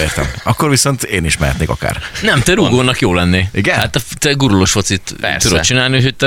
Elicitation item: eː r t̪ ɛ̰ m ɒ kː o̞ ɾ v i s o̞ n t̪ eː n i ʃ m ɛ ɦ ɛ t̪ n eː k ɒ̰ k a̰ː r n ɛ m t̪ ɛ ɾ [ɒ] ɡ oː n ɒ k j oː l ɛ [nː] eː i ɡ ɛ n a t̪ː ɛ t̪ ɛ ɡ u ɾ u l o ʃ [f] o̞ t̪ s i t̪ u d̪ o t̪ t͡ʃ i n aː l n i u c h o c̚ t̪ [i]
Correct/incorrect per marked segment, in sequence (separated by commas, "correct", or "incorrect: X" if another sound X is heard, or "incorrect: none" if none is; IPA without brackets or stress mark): incorrect: u, correct, correct, incorrect: ɛ